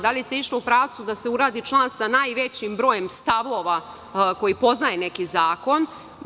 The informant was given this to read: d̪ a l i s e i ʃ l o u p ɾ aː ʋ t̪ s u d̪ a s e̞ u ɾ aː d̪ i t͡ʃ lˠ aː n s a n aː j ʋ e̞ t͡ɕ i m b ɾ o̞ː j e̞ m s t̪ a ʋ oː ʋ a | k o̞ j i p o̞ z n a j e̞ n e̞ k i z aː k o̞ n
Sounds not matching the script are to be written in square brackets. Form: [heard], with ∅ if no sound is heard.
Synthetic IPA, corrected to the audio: d̪ a l i s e i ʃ l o u p ɾ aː ʋ t̪ s u d̪ a s e̞ u ɾ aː d̪ i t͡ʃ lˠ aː n s a n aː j ʋ e̞ t͡ɕ i m b ɾ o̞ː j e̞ m s t̪ a ʋ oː ʋ a | k o̞ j i p o̞ z n a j e̞ n e̞ k i z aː k o̞ n